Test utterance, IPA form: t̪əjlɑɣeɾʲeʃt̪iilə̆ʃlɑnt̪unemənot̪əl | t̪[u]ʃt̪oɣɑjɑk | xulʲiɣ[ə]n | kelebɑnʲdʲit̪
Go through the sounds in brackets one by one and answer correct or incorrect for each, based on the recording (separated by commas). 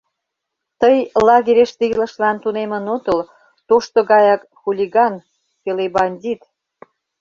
incorrect, incorrect